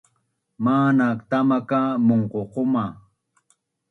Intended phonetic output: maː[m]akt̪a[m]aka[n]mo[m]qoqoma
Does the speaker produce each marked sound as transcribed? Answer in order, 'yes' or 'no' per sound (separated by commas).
no, yes, no, no